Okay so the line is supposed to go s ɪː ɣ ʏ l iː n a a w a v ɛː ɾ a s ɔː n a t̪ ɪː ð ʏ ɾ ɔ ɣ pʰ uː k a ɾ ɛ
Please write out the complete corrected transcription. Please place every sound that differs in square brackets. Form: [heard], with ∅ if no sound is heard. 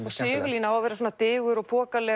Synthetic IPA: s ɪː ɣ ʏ l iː n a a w a v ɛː ɾ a s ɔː n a t̪ ɪː [ɣ] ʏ ɾ ɔ ɣ pʰ [ɔː] k a [l] ɛ